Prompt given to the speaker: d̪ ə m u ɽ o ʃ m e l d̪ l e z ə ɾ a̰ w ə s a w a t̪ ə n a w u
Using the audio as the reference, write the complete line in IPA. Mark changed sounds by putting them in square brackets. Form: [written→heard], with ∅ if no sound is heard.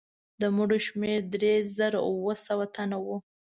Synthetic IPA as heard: d̪ ə m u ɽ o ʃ m e [l→ɾ] d̪ [l→ɾ] e z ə ɾ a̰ w ə s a w a t̪ [ə→a] n a w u